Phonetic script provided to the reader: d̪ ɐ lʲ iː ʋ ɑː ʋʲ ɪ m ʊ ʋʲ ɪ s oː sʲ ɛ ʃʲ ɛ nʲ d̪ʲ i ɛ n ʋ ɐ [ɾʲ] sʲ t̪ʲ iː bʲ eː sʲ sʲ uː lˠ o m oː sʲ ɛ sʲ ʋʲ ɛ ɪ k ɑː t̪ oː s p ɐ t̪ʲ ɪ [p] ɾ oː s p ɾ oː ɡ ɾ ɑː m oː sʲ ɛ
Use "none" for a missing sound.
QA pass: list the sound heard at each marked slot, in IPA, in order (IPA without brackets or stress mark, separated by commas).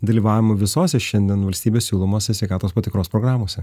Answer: lʲ, k